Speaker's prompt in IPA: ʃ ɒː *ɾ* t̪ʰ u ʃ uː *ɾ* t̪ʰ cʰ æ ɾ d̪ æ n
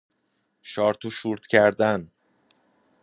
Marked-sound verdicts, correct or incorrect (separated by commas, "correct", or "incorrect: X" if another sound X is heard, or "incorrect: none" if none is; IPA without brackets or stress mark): correct, correct